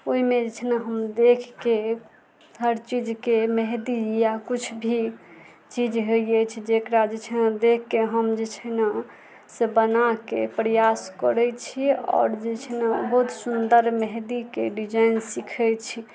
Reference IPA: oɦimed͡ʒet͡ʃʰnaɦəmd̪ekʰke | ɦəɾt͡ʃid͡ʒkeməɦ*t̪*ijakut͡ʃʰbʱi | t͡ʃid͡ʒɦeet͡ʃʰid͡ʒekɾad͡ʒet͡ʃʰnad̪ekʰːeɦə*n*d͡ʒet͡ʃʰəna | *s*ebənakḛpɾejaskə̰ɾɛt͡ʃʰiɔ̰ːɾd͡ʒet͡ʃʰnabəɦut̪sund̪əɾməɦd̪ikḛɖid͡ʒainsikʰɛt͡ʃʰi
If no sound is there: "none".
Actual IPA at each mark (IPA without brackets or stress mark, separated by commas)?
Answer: d̪, m, s